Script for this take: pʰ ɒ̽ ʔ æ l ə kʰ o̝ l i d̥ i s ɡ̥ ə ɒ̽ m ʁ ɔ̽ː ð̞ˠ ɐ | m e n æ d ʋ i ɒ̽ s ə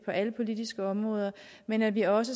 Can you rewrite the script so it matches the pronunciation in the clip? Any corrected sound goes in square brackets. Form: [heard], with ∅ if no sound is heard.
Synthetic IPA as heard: pʰ ɒ̽ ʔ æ l ə [pʰ] o̝ l i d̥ i s ɡ̥ ə ɒ̽ m ʁ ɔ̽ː ð̞ˠ ɐ | m e n æ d ʋ i ɒ̽ s ə